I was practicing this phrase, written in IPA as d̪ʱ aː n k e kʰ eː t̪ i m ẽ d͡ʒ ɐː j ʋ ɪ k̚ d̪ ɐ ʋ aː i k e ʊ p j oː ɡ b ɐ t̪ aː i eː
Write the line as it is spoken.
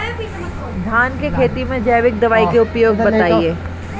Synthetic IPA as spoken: d̪ʱ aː n k e kʰ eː t̪ i m ẽ d͡ʒ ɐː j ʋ ɪ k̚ d̪ ɐ ʋ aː i k e ʊ p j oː ɡ b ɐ t̪ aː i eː